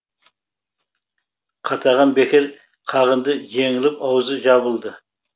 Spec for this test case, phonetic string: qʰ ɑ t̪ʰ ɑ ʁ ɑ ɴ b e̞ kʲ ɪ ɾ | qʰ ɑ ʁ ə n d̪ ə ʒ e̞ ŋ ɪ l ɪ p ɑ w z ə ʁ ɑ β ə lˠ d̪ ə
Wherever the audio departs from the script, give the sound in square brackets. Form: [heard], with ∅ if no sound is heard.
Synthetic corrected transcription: qʰ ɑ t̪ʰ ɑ ʁ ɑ [n] b e̞ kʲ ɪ ɾ | qʰ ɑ ʁ ə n d̪ ə ʒ e̞ ŋ ɪ l ɪ p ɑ w z ə [ʒ] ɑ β ə lˠ d̪ ə